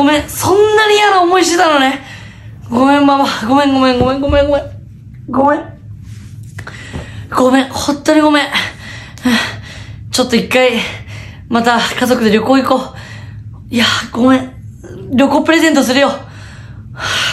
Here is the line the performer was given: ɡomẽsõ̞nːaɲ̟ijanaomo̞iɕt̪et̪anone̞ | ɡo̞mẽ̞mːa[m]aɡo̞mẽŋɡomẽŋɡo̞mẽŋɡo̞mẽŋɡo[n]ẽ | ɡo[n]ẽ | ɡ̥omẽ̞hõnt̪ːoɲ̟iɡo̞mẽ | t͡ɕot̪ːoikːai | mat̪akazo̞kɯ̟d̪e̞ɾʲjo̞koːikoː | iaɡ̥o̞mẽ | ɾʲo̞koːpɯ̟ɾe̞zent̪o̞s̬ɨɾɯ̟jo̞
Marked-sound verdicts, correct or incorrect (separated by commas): correct, incorrect, incorrect